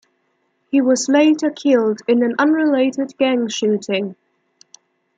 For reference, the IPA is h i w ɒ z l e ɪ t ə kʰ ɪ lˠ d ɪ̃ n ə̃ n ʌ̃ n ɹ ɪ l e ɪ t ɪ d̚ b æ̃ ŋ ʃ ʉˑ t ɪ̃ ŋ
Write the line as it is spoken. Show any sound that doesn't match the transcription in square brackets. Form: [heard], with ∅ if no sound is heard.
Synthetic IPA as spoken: h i w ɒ z l e ɪ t ə kʰ ɪ lˠ d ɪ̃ n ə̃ n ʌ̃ n ɹ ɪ l e ɪ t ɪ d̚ [ɡ] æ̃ ŋ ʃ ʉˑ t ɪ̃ ŋ